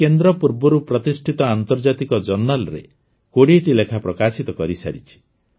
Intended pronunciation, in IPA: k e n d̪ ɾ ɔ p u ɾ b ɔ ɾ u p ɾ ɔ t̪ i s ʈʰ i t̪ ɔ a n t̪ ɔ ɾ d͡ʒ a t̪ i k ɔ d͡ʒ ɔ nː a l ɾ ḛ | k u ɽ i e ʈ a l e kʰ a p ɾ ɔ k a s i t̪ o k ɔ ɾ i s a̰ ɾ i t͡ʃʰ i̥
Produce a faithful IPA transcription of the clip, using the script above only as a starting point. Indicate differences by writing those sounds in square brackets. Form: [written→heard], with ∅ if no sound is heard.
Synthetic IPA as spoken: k e n d̪ ɾ ɔ p u ɾ b ɔ ɾ u p ɾ ɔ t̪ i s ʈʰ i t̪ ɔ a n t̪ ɔ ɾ d͡ʒ a t̪ i k ɔ d͡ʒ ɔ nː a l ɾ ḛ | k [u→o] ɽ i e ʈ [a→i] l e kʰ a p ɾ ɔ k a s i t̪ [o→ɔ] k ɔ ɾ i s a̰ ɾ i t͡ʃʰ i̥